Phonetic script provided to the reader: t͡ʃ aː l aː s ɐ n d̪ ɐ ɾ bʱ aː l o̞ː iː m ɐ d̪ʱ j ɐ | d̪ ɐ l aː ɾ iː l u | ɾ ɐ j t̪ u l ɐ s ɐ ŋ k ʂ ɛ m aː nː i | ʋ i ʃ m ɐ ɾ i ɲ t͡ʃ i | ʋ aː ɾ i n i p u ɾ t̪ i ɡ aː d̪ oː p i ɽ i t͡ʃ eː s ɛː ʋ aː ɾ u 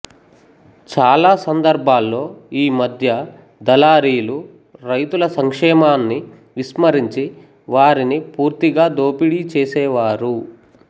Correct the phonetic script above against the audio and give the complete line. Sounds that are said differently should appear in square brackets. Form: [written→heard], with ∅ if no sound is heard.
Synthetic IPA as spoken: t͡ʃ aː l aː s ɐ n d̪ ɐ ɾ bʱ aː [l→lː] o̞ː iː m ɐ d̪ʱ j ɐ | d̪ ɐ l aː ɾ iː l u | ɾ ɐ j t̪ u l ɐ s ɐ ŋ k ʂ [ɛ→ɛː] m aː nː i | ʋ i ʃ m ɐ ɾ i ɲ t͡ʃ i | ʋ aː ɾ i n i p [u→uː] ɾ t̪ i ɡ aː d̪ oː p i ɽ i t͡ʃ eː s ɛː ʋ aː ɾ u